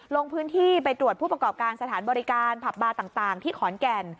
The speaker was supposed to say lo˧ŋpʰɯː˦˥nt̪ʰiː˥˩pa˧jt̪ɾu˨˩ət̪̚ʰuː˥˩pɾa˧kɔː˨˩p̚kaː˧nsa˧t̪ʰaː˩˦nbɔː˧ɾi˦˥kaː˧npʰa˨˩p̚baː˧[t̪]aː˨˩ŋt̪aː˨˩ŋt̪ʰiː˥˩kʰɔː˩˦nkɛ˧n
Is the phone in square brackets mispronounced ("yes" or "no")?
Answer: no